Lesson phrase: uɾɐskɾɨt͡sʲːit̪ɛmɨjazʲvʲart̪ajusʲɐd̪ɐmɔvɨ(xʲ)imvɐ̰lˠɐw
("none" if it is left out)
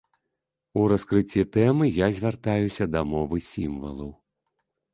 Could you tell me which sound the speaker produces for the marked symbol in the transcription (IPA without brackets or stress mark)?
sʲ